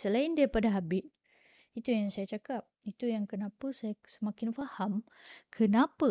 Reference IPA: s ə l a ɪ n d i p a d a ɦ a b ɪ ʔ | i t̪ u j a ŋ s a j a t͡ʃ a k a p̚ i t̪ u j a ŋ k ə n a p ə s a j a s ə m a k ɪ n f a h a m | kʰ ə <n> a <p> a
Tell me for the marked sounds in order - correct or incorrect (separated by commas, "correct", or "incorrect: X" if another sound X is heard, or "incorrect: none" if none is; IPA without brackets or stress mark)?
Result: correct, correct